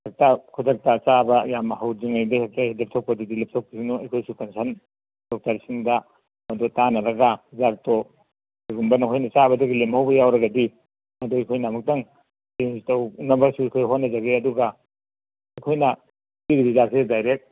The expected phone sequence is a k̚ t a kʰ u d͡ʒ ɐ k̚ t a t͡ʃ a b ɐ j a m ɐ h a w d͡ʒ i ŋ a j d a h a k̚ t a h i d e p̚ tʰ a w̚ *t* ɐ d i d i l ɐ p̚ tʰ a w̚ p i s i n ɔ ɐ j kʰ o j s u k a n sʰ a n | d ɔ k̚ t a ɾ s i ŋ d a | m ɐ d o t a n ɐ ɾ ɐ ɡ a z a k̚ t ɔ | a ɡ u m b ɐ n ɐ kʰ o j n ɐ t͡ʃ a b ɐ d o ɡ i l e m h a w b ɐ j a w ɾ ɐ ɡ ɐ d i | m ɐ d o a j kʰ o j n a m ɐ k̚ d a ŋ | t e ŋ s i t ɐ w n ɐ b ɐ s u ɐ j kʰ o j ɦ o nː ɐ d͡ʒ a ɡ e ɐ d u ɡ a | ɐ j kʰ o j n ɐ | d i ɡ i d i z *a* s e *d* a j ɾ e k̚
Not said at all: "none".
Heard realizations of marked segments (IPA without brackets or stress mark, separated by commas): p, a, d